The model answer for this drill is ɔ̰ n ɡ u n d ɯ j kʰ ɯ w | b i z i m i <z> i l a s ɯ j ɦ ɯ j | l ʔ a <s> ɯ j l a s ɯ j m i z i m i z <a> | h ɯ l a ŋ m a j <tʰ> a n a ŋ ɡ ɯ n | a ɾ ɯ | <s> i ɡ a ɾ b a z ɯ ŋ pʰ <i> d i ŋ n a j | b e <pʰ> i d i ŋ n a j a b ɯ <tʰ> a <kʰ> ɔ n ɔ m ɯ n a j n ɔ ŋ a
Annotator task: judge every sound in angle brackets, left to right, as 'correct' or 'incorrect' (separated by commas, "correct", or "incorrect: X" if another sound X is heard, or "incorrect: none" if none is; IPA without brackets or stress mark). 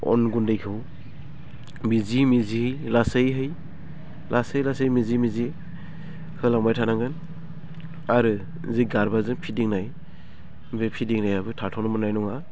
correct, correct, incorrect: i, correct, incorrect: z, correct, correct, correct, incorrect: tʰ